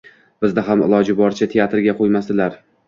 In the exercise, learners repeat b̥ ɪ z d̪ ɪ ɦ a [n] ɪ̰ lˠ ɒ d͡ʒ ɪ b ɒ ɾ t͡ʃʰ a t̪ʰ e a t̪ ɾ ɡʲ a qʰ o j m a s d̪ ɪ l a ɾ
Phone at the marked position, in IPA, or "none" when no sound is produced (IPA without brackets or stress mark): m